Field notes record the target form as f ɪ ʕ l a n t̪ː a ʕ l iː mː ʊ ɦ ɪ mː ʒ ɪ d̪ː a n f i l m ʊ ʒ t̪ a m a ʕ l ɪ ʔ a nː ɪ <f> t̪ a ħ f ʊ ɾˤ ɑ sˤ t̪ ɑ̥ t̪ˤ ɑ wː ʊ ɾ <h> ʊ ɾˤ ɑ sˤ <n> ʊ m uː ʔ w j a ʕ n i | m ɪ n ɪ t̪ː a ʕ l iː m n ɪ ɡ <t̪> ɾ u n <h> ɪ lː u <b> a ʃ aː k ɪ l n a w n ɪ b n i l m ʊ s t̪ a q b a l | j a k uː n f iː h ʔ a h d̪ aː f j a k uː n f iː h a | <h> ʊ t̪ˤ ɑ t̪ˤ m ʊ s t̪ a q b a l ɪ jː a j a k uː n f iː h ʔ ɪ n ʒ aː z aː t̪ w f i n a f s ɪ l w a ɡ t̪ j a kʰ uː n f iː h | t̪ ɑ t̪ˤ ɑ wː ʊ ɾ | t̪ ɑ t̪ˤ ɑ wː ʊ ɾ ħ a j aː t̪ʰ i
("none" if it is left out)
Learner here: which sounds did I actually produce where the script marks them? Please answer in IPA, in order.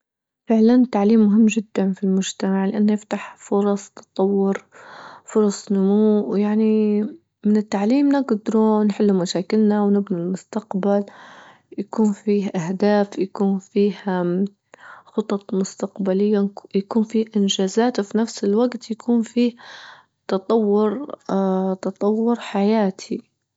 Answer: f, f, n, d̪, ħ, m, x

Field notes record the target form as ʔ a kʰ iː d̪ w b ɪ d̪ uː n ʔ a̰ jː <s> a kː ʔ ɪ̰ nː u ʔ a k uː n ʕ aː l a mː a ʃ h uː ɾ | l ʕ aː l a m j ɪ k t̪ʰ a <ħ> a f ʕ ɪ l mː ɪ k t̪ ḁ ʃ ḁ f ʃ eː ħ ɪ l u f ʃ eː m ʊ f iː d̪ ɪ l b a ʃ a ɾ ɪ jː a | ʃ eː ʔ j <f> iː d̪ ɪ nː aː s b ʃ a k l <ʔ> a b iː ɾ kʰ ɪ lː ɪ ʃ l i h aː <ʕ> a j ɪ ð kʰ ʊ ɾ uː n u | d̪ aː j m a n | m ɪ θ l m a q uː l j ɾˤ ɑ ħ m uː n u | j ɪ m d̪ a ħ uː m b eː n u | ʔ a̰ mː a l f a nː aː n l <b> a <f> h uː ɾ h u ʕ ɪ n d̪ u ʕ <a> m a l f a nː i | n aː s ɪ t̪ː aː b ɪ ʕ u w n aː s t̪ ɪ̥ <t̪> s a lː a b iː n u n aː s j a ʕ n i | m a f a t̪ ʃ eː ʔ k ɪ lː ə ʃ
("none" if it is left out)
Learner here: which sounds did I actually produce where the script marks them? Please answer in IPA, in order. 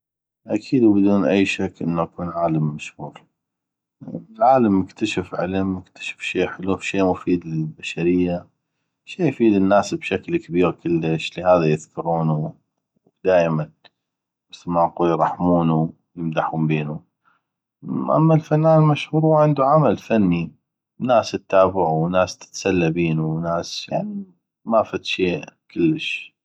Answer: ʃ, ʃ, f, k, ð, m, ʃ, a, t̪

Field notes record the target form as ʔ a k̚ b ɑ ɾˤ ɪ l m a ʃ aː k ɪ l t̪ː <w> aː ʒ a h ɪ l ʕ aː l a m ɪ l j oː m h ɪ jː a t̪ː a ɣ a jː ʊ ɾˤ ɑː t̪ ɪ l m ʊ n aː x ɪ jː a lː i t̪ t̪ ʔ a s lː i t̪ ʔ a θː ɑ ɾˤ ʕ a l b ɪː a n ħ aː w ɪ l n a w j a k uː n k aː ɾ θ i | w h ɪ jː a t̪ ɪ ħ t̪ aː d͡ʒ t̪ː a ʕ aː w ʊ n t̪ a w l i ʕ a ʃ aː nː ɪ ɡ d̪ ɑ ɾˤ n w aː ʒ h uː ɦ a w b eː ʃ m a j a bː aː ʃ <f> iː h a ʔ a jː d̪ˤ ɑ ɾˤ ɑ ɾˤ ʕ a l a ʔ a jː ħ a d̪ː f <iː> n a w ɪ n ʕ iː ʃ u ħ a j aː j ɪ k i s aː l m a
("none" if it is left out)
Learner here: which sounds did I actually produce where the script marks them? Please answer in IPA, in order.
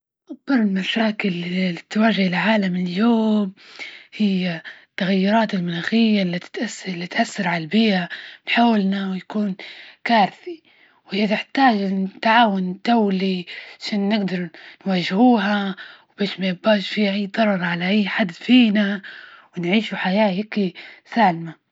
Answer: w, f, iː

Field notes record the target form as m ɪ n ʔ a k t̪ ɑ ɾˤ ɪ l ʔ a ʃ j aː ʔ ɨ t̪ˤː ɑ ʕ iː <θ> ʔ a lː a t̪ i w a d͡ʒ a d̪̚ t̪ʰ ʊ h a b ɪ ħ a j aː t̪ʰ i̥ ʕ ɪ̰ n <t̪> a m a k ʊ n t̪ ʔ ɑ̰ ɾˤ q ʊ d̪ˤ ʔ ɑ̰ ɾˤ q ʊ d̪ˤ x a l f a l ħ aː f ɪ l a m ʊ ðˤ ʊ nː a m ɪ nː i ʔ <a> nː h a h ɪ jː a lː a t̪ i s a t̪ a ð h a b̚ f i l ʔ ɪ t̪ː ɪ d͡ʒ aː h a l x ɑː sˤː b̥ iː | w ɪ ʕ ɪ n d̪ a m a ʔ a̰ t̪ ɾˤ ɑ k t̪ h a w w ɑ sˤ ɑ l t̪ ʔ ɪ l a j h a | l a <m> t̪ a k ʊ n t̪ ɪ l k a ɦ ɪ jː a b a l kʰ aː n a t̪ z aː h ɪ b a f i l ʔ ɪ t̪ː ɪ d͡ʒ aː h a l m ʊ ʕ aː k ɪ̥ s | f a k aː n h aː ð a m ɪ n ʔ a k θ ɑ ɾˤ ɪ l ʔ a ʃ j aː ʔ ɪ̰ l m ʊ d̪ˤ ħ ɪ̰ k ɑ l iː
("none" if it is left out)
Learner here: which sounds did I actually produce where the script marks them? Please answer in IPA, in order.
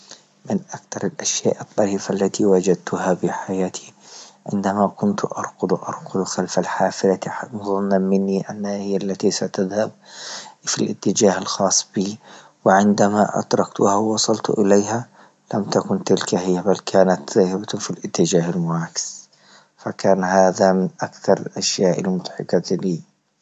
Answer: f, d̪, a, m

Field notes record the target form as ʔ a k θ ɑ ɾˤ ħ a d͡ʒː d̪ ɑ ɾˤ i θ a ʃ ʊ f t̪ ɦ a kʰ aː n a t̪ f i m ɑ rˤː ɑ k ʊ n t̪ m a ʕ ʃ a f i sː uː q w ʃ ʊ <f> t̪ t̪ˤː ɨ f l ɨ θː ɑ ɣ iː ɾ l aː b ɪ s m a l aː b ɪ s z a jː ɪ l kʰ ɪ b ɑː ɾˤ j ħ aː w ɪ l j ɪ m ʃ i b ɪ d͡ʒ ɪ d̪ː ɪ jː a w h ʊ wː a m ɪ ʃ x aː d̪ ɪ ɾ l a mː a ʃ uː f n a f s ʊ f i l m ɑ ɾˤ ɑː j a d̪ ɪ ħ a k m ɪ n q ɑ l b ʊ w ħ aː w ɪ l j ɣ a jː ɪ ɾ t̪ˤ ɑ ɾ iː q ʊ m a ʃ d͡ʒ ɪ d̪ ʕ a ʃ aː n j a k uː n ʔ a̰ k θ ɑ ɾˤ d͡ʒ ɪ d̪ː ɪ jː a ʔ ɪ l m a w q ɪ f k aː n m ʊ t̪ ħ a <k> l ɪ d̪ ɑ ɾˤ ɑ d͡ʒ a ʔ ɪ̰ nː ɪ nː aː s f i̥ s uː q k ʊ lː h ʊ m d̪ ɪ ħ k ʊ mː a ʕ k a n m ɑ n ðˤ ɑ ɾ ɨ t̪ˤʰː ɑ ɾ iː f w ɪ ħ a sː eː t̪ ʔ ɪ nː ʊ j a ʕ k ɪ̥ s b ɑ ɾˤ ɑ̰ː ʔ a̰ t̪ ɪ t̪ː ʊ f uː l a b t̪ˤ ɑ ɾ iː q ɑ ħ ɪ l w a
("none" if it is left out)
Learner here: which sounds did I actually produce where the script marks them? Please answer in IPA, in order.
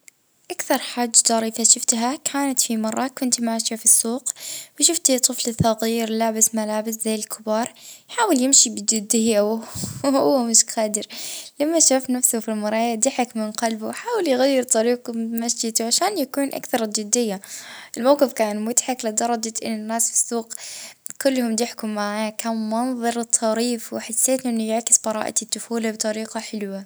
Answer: f, k

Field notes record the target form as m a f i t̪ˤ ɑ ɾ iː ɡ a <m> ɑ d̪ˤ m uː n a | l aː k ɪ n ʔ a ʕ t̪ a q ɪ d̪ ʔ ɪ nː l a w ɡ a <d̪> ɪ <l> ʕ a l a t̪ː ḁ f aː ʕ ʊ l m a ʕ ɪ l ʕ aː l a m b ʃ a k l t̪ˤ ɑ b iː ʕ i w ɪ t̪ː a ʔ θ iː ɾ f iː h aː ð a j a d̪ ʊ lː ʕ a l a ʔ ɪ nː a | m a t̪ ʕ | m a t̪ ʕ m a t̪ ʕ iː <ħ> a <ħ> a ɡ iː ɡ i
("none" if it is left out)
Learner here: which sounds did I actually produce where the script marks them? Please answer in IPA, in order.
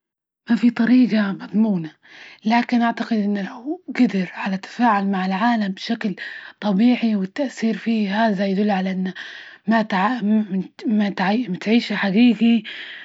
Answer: m, d̪, ɾ, ʃ, ħ

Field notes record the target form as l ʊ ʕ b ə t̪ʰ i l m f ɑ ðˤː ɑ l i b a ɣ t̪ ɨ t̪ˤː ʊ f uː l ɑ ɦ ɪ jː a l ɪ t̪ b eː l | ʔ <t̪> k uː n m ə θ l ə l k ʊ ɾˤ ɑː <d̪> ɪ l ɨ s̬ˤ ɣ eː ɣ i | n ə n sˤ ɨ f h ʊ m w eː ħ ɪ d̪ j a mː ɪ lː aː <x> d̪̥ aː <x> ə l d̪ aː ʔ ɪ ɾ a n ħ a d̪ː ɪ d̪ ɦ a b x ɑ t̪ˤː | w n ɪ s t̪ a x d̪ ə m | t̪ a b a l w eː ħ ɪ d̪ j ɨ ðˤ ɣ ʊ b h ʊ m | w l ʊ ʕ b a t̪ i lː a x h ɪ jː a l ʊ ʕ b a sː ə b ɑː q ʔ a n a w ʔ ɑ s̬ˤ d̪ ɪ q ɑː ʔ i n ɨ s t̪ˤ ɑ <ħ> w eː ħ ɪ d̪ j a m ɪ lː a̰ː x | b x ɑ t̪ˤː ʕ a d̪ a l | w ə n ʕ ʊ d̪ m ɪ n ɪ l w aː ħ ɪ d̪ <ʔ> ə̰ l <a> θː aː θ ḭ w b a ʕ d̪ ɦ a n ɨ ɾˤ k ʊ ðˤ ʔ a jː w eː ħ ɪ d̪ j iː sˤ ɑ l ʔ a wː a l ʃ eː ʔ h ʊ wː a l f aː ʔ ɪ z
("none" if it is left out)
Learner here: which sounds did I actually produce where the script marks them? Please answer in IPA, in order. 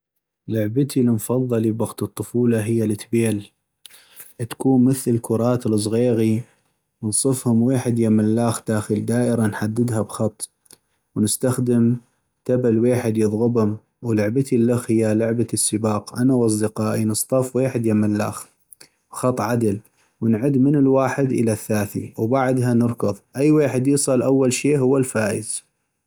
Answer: t̪, t̪, x, x, f, ʔ, a

